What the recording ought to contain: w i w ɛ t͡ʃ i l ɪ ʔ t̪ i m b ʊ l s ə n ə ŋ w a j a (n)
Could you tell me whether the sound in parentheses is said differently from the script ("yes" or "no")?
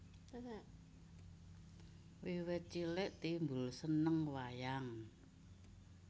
yes